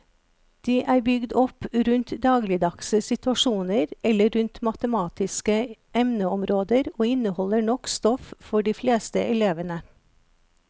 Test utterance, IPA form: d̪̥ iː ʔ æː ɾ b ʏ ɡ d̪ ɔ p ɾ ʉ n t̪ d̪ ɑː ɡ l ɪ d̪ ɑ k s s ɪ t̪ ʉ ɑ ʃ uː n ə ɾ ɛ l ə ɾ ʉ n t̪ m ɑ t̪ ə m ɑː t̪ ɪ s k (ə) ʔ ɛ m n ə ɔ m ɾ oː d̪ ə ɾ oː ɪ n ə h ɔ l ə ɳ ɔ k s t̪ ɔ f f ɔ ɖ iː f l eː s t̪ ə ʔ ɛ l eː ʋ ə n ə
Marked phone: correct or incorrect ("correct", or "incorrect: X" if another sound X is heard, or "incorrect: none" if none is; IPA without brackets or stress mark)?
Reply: correct